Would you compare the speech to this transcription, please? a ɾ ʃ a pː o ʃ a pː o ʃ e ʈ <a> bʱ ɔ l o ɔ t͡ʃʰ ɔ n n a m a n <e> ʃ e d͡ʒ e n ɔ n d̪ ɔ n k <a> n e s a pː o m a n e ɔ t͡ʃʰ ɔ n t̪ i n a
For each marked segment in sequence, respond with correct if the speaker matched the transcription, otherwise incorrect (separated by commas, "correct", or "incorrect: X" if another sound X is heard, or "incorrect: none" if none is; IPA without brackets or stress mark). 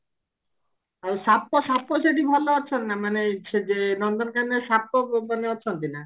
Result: incorrect: i, correct, correct